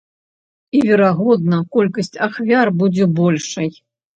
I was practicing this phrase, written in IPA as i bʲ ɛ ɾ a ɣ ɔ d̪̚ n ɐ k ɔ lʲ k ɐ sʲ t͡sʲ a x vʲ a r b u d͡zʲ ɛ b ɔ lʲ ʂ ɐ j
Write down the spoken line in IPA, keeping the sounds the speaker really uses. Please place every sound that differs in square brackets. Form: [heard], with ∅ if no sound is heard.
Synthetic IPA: i [vʲ] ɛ ɾ a ɣ ɔ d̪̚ n ɐ k ɔ lʲ k ɐ sʲ t͡sʲ a x vʲ a r b u d͡zʲ ɛ b ɔ lʲ ʂ ɐ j